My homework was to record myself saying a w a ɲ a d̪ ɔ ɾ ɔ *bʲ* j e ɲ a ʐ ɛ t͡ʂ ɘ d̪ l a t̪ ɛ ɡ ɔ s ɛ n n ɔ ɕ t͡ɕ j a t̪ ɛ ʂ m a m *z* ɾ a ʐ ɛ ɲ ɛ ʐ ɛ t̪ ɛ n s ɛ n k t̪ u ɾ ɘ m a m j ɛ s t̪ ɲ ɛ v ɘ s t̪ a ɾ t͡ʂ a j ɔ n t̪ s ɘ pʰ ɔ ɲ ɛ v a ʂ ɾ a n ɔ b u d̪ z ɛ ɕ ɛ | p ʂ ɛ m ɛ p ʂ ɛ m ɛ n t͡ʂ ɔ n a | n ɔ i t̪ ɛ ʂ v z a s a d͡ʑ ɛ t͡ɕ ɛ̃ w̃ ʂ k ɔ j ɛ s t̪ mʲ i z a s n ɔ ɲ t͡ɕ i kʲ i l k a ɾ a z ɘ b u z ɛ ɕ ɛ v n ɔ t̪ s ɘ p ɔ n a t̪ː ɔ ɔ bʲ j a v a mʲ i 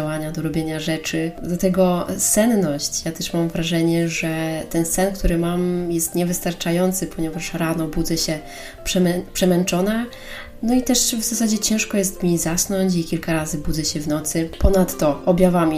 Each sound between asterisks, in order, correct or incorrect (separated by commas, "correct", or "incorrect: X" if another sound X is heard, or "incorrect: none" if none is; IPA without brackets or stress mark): correct, incorrect: v